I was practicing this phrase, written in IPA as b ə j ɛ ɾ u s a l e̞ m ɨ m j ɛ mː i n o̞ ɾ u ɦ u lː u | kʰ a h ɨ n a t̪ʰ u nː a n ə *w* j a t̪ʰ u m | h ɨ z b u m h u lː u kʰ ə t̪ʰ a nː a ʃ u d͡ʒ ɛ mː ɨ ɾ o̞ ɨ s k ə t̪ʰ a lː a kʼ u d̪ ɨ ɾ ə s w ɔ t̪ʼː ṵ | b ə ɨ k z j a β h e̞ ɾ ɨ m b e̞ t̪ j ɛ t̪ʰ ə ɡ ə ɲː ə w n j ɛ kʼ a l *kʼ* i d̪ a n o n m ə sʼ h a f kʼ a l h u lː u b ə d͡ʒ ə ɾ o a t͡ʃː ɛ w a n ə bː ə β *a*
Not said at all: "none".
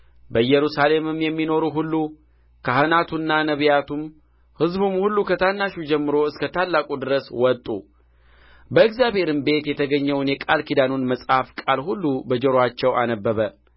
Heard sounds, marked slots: β, k, ə

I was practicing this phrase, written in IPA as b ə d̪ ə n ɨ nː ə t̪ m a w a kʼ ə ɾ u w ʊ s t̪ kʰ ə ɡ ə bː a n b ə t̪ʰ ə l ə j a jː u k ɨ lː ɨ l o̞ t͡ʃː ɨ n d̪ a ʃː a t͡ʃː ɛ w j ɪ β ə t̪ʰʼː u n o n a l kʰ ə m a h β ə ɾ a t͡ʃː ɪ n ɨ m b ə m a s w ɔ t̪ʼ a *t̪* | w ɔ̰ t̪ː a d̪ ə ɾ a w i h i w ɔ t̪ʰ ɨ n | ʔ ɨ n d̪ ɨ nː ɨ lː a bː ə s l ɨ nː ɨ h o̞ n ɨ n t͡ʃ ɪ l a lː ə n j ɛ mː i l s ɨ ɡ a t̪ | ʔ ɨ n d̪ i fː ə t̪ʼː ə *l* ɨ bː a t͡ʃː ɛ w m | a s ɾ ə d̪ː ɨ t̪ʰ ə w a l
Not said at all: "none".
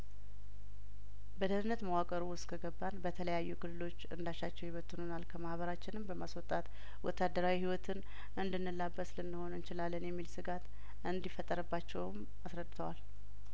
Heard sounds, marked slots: t̪, ɾ

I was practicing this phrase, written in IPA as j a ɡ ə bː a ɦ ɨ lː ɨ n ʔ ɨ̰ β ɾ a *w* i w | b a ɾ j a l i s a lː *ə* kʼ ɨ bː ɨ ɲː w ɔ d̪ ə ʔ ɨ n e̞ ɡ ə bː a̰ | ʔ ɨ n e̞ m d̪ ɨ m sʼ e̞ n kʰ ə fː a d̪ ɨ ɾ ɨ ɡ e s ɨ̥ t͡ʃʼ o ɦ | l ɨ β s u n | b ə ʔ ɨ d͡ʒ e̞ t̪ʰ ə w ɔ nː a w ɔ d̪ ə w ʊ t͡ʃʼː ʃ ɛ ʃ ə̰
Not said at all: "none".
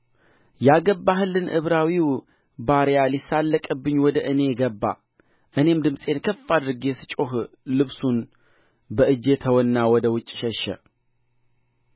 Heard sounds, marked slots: w, ə

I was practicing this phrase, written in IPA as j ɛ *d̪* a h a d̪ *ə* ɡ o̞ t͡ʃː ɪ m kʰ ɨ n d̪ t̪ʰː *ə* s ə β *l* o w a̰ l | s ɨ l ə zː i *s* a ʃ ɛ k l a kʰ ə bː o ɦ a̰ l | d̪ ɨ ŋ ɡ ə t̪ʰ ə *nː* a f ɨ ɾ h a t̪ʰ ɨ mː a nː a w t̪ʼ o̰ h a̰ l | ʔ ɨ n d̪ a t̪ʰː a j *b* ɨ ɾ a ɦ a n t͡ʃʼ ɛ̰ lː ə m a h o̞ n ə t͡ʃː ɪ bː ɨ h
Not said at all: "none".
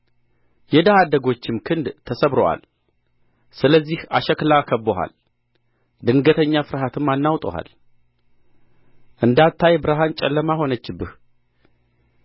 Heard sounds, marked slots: d̪, ə, ə, ɾ, h, ɲː, b

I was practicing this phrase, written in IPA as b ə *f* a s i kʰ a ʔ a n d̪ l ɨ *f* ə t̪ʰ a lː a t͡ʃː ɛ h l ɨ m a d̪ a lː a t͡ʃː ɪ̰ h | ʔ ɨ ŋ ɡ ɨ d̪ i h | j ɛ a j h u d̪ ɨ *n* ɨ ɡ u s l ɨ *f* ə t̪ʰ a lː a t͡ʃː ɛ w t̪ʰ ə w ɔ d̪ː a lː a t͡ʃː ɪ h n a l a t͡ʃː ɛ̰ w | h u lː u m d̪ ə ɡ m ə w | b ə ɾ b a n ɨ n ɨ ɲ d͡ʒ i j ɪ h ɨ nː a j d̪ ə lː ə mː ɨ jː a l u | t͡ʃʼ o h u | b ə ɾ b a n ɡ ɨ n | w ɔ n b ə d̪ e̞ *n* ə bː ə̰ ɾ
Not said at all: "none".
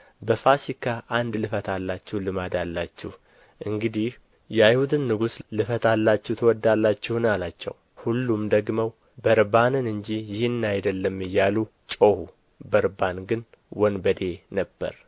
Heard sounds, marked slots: f, f, nː, f, n

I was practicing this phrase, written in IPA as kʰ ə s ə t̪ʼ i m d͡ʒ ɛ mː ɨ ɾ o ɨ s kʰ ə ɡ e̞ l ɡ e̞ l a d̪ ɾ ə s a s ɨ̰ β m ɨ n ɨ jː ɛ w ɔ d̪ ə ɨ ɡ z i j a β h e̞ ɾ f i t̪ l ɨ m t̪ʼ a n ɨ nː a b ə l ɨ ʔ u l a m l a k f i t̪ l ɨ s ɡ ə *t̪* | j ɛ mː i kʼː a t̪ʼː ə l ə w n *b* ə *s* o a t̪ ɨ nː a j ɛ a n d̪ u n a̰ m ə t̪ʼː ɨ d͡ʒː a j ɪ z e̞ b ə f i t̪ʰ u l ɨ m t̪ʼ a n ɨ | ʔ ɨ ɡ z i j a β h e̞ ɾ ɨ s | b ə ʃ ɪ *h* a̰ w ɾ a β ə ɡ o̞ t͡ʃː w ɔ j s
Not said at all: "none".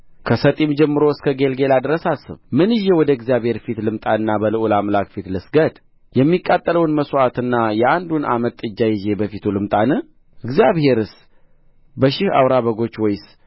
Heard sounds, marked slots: d̪, m, s, h

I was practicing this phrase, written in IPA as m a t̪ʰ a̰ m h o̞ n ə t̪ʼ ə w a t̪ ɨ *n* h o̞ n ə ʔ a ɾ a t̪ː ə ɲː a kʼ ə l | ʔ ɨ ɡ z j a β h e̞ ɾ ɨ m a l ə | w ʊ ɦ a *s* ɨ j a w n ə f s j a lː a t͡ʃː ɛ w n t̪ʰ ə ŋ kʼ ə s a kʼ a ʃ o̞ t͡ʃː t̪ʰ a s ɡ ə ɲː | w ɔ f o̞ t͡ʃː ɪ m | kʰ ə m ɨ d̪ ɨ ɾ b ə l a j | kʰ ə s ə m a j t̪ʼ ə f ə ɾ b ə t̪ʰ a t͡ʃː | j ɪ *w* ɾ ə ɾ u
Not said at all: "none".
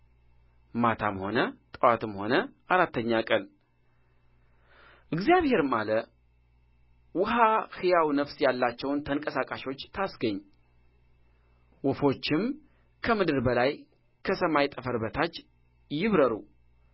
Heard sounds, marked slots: m, h, β

